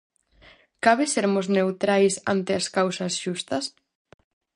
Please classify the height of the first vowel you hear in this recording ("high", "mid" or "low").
low